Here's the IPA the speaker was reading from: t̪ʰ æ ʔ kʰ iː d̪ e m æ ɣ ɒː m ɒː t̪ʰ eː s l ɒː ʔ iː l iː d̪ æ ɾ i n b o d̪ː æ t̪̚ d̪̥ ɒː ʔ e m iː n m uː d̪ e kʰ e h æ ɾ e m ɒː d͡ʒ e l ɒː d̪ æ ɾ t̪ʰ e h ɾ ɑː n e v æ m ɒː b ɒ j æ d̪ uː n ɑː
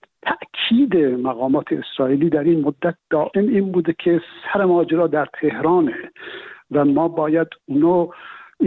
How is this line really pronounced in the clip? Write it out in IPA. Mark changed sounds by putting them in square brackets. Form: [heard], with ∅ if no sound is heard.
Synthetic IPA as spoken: t̪ʰ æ ʔ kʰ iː d̪ e m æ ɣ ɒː m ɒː t̪ʰ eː s [ɾ] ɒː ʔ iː l iː d̪ æ ɾ i n [m] o d̪ː æ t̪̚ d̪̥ ɒː ʔ e m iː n [b] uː d̪ e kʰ e [s] æ ɾ e m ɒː d͡ʒ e [ɾ] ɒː d̪ æ ɾ t̪ʰ e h ɾ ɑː n e v æ m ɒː b [ɒː] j æ d̪ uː n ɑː